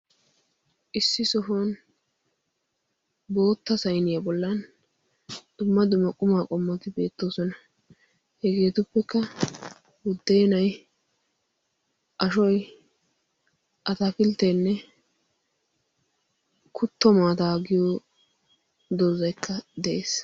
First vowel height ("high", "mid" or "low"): high